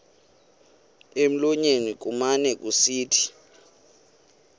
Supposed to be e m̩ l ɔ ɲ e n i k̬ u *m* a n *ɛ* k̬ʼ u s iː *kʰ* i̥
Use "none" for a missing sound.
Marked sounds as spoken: m, ɛ, tʰ

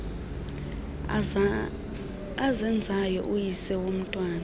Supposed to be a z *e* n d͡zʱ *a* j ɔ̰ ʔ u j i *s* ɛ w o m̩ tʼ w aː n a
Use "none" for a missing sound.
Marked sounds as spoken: ɛ, a, s

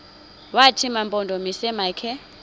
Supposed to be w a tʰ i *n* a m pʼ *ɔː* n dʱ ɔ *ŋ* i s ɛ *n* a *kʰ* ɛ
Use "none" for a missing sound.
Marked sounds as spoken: m, ɔ, m, m, kʰ

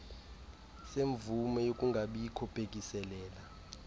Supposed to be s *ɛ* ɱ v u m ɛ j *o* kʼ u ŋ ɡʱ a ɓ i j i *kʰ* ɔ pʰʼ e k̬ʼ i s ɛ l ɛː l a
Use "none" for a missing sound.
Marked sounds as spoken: e, o, kʰ

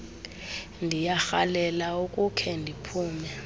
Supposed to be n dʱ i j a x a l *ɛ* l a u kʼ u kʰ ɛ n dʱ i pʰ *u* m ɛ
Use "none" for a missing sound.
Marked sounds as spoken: ɛ, uː

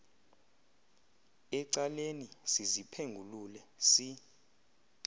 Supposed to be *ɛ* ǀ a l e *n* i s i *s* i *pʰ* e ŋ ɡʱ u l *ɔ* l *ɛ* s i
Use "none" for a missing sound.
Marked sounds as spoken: ɛ, n, z, pʰ, u, ɛ

